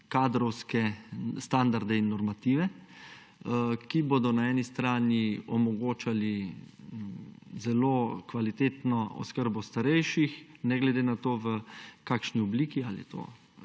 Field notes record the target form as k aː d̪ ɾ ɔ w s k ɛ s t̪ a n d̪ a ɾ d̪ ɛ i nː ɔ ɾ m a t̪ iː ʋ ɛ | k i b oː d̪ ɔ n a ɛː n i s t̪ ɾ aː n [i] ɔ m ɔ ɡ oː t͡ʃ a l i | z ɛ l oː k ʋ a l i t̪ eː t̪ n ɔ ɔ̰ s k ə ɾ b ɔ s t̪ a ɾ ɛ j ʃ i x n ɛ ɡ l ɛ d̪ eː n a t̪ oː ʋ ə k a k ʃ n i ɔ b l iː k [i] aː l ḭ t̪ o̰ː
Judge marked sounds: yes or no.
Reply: yes, yes

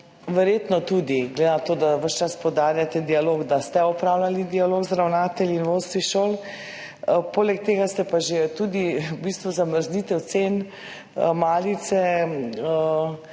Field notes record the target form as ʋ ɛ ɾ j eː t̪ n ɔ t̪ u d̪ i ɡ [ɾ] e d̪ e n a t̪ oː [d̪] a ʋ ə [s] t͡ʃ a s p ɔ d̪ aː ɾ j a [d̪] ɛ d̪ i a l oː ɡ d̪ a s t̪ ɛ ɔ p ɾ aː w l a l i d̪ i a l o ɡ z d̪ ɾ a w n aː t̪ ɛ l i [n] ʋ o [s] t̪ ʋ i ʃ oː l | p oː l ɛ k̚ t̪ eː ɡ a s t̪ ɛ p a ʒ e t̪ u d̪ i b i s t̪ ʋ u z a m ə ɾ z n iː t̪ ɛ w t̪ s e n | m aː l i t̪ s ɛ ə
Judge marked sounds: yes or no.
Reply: no, yes, no, no, yes, yes

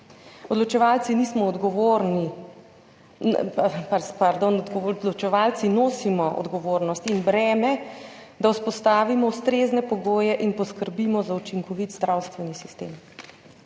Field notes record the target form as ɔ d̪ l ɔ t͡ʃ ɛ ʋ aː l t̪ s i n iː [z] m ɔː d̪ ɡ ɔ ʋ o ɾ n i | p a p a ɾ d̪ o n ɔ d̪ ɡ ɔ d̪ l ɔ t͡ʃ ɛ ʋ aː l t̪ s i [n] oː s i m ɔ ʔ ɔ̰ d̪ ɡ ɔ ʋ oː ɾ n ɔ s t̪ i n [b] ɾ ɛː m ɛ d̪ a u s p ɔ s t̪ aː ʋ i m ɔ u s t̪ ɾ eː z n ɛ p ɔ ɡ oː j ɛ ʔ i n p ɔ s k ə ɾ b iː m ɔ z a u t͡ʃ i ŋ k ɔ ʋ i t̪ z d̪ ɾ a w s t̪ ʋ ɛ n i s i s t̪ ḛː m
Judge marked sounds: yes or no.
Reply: no, yes, yes

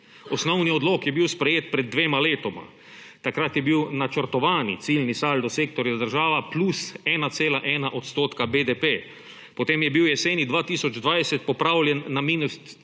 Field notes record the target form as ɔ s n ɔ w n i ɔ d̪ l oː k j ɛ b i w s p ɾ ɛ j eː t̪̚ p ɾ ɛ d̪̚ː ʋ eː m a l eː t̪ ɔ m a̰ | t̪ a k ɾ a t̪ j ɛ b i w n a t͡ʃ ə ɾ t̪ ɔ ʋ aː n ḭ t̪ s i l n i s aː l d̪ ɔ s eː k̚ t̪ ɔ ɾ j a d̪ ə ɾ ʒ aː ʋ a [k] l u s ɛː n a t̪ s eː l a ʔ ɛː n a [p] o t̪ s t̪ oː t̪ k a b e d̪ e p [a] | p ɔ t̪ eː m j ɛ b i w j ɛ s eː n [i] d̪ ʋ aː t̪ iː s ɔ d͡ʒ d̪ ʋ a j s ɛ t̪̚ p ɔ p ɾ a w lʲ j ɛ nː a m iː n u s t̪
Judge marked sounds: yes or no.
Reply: no, no, no, yes

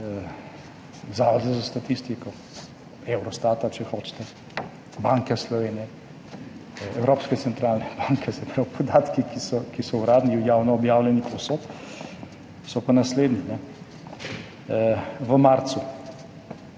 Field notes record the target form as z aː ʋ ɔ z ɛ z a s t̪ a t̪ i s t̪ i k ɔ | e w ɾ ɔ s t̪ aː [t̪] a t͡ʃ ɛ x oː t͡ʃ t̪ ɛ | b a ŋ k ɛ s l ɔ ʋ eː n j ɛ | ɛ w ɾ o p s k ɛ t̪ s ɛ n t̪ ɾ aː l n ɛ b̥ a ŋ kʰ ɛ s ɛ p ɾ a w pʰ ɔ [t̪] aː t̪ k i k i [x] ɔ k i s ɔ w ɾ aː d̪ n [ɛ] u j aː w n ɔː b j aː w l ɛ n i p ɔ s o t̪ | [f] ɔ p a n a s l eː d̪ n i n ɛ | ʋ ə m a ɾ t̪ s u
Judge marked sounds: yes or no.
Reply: yes, no, no, no, no

